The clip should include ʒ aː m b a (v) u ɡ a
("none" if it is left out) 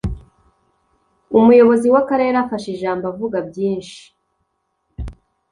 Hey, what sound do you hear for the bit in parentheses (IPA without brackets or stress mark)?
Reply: v